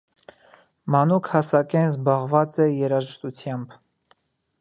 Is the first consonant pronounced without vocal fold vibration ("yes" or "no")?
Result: no